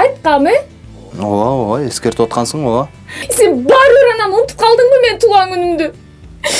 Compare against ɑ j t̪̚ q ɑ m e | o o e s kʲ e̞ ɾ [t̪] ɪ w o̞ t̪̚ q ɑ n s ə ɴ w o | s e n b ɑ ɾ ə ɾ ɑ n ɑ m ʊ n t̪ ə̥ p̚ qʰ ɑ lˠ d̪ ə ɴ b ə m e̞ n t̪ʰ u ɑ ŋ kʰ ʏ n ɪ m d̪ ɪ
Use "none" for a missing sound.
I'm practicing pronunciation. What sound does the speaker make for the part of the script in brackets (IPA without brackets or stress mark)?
t̪